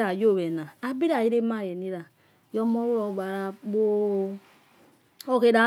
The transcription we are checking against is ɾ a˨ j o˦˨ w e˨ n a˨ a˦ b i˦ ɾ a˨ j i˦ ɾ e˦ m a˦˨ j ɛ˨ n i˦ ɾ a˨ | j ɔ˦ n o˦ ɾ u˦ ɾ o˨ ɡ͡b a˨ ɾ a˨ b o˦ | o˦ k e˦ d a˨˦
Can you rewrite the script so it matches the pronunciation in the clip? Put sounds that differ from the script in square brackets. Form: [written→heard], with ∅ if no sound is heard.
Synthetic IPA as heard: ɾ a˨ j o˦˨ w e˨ n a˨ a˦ b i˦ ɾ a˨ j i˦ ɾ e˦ m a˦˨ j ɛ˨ n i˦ ɾ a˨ | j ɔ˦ [n→m] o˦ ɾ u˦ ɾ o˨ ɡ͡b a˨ ɾ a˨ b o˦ | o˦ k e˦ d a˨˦